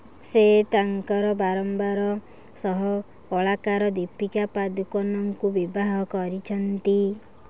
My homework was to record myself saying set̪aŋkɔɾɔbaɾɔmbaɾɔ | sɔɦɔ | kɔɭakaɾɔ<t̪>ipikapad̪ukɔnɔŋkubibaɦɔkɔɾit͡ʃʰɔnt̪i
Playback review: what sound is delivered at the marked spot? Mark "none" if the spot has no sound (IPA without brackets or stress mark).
d̪